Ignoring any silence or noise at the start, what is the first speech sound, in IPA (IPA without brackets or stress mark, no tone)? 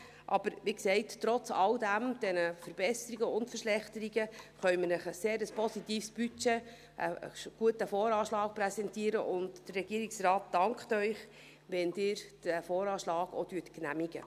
ʔ